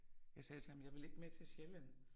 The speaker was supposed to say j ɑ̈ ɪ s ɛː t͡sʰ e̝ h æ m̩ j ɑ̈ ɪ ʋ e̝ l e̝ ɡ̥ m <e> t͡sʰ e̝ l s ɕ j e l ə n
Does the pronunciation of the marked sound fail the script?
no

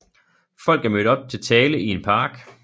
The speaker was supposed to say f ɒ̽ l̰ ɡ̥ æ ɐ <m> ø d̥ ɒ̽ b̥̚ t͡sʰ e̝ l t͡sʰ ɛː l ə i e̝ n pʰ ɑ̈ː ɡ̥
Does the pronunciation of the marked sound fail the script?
no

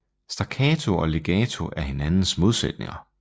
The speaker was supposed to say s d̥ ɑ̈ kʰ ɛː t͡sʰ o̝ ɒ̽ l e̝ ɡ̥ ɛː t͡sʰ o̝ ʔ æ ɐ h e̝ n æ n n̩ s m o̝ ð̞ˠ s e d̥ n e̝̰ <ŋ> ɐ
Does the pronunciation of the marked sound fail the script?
no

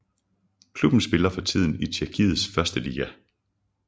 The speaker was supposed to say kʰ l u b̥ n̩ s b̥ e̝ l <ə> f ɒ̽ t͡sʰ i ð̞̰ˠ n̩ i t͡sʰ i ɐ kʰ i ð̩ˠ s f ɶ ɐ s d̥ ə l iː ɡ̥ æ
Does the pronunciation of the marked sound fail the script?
yes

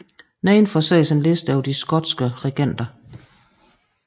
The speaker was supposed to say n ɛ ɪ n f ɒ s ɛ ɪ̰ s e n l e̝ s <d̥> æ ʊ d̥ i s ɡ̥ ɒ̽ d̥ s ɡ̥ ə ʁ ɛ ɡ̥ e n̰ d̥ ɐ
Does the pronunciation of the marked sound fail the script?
no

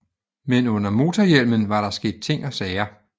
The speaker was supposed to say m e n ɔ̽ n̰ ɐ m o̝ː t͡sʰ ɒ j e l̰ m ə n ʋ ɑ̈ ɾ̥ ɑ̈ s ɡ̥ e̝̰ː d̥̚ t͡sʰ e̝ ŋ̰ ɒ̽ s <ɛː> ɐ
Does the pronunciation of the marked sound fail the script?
no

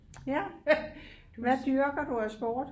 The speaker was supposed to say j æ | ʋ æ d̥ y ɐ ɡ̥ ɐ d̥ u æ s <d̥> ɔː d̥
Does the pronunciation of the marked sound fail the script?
yes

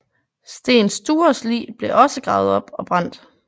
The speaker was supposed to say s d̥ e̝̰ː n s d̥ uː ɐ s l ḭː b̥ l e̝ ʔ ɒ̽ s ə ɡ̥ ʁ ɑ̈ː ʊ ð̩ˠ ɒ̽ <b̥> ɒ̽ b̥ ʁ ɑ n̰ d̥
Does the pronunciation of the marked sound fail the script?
no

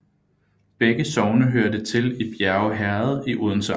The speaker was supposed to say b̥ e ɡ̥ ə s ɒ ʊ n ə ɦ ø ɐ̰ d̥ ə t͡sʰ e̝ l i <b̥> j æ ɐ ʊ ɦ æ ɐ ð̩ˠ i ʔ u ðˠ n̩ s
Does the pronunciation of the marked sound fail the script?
no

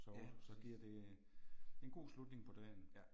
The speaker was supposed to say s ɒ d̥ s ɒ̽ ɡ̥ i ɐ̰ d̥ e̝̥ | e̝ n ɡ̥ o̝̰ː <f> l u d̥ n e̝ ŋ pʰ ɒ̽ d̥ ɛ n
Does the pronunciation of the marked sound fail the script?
yes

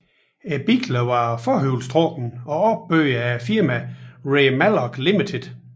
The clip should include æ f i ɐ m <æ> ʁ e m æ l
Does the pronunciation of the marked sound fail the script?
no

